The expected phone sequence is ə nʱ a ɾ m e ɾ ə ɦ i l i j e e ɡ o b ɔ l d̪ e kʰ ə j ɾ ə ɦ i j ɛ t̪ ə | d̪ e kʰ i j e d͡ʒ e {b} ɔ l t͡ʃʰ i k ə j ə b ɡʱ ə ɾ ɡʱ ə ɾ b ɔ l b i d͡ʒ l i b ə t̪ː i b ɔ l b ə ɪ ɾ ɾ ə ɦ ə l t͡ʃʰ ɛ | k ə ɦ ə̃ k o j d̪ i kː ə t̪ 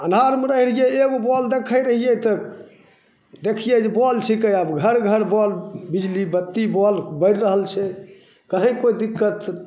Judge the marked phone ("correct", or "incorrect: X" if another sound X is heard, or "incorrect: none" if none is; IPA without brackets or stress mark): correct